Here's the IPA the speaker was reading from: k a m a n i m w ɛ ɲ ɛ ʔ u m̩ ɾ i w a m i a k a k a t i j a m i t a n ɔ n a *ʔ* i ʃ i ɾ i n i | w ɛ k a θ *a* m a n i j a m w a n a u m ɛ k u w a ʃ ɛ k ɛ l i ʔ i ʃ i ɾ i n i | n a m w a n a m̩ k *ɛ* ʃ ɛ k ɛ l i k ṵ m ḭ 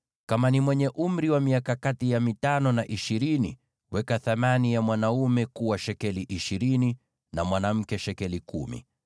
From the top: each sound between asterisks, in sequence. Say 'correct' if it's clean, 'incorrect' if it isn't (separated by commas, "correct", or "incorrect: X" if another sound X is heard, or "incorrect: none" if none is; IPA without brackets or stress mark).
correct, correct, correct